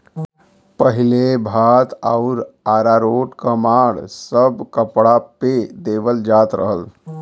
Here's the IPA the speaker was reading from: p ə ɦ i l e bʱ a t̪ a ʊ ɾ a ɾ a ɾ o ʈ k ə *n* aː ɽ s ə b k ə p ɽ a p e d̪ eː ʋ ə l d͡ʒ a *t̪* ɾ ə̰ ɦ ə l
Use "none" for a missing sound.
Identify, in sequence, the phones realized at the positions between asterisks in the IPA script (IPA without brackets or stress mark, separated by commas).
m, t̪